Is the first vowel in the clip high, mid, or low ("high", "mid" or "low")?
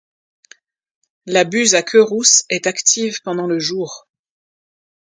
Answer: low